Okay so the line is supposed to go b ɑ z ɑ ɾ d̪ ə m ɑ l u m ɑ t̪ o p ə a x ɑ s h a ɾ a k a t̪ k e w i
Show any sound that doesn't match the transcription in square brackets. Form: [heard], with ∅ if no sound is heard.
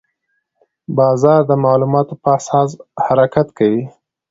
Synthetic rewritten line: b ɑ z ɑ ɾ d̪ ə m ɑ l u m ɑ t̪ o p ə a [s] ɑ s h a ɾ a k a t̪ k [a] w i